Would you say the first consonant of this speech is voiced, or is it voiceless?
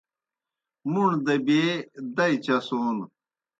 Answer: voiced